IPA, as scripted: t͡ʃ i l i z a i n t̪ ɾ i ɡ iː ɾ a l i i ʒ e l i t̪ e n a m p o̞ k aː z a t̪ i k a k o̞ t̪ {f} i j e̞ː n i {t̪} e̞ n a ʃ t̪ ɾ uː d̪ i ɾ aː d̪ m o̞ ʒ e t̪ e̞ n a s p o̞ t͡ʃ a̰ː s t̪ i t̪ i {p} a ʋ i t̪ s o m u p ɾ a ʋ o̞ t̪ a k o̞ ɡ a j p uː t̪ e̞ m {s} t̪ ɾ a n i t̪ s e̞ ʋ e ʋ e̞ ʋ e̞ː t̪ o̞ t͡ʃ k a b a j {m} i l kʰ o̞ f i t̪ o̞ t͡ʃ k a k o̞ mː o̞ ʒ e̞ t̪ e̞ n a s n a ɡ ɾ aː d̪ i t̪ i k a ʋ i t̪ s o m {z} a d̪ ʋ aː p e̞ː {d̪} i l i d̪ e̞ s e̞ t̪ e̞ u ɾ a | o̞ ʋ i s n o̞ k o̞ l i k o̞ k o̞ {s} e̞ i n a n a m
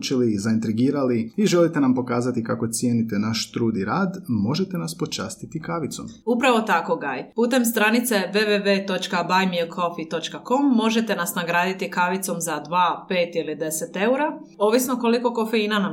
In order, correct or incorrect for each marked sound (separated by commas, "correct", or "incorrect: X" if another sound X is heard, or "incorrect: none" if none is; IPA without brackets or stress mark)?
incorrect: s, correct, incorrect: k, correct, correct, correct, incorrect: t̪, incorrect: f